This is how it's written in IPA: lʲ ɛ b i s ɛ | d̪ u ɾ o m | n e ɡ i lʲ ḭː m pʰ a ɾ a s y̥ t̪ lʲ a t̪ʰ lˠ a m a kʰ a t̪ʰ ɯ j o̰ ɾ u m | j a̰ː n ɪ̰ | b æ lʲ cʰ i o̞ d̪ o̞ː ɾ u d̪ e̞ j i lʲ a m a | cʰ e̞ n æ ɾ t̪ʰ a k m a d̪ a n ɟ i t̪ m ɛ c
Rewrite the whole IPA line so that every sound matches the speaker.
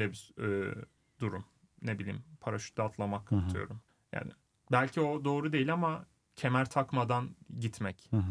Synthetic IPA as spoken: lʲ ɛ b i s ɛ | d̪ u ɾ u m | n e b i lʲ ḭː m pʰ a ɾ a ʃ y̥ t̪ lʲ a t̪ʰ lˠ a m a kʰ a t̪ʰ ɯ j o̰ ɾ u m | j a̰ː n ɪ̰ | b æ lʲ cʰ i o̞ d̪ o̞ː ɾ u d̪ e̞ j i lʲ a m a | cʰ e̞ m æ ɾ t̪ʰ a k m a d̪ a n ɟ i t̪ m ɛ c